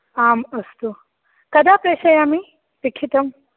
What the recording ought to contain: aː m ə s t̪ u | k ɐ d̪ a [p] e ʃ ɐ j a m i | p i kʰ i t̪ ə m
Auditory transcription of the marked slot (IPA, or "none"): p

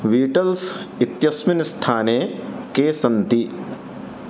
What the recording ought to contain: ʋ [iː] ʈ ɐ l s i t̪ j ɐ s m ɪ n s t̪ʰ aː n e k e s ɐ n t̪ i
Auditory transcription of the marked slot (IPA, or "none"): iː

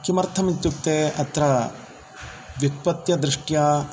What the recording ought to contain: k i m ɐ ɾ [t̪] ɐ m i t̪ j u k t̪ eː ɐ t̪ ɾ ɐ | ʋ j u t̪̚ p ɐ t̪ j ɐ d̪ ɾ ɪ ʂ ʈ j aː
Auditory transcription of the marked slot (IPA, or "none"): t̪ʰ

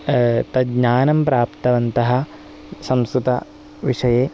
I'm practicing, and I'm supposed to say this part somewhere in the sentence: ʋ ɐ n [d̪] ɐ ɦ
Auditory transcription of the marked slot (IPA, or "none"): t̪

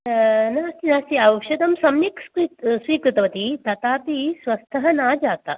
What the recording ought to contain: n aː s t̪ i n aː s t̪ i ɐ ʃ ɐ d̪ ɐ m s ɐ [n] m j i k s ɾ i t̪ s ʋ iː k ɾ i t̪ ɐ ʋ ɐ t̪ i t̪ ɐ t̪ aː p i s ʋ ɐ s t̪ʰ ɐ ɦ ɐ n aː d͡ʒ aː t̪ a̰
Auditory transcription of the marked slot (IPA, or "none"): none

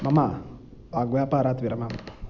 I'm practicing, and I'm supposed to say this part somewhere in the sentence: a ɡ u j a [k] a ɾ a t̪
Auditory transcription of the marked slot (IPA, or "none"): p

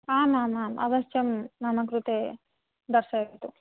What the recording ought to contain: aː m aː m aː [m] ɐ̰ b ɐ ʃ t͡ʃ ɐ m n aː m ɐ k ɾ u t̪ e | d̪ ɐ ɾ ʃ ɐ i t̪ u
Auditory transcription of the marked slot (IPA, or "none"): m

